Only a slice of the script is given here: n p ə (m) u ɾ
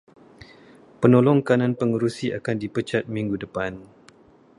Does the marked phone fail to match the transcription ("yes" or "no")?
yes